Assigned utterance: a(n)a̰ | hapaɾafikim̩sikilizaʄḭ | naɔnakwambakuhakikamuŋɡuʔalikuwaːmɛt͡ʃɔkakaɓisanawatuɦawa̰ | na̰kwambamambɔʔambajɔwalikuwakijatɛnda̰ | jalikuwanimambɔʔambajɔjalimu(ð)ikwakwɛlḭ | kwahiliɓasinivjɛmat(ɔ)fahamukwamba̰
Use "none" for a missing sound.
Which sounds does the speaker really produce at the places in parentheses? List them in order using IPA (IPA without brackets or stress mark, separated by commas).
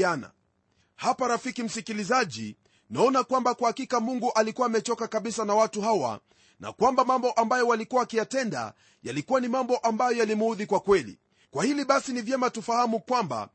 n, ð, u